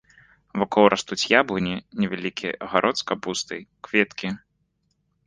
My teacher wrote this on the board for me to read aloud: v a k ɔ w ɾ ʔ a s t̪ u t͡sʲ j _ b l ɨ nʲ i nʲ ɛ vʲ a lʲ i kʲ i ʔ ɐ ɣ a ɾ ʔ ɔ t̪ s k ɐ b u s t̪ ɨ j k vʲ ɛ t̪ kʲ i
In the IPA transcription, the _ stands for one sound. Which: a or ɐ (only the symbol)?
a